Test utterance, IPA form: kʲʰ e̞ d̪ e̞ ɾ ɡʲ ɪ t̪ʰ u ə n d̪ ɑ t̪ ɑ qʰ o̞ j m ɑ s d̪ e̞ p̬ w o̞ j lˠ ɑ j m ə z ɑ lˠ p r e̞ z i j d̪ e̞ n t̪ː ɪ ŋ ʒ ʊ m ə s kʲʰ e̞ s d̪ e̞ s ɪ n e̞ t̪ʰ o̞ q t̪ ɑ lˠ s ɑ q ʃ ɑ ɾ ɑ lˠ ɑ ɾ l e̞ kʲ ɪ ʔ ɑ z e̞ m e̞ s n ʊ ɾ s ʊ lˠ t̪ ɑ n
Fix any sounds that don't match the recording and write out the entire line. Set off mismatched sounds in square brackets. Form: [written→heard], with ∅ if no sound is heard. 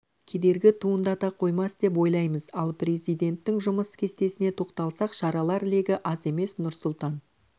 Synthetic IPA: kʲʰ e̞ d̪ e̞ ɾ ɡʲ ɪ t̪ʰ u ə n d̪ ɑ t̪ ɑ qʰ o̞ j m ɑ s d̪ e̞ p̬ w o̞ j lˠ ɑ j m ə z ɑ lˠ p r e̞ z i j d̪ e̞ n t̪ː ɪ ŋ ʒ ʊ m ə s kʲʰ e̞ s [d̪→t̪] e̞ s ɪ n e̞ t̪ʰ o̞ q t̪ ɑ lˠ s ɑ q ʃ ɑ ɾ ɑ lˠ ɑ ɾ l e̞ [kʲ→ɡʲ] ɪ ʔ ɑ z e̞ m e̞ s n ʊ ɾ s ʊ lˠ t̪ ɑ n